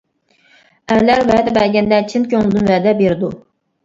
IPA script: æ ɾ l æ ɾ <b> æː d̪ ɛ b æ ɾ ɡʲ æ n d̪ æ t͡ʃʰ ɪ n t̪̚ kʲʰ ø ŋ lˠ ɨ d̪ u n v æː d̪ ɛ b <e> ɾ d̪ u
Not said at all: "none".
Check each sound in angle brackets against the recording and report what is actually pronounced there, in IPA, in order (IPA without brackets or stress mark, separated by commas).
v, e